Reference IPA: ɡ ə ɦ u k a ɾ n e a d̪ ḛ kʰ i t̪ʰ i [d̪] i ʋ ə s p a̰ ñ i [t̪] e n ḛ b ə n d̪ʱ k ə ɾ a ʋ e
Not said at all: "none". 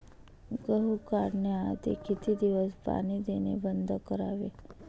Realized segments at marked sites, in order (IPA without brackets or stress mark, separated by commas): d̪, d̪